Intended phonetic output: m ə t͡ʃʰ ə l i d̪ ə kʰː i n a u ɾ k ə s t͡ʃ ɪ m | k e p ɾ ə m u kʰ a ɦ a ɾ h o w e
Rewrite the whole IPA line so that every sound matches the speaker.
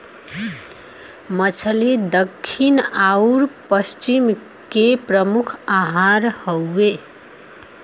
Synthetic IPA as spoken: m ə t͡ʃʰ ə l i d̪ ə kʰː i n a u ɾ p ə s t͡ʃ i m | k e p ɾ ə m u kʰ a ɦ a ɾ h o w e